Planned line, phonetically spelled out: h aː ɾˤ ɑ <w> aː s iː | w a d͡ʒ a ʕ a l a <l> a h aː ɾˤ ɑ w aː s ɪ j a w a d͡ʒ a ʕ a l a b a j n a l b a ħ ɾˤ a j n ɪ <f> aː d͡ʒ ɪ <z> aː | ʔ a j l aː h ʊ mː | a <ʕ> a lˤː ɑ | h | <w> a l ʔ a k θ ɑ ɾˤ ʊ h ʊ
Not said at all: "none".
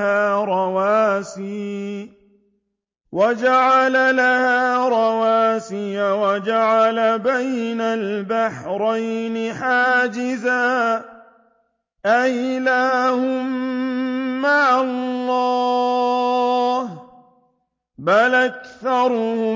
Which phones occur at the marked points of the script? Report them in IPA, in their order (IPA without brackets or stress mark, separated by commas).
w, l, ħ, z, ʕ, b